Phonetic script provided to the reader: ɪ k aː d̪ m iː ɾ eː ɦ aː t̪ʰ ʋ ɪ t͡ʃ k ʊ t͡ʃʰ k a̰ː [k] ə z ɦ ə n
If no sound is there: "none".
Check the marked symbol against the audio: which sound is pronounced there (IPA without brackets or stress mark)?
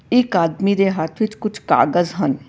ɡ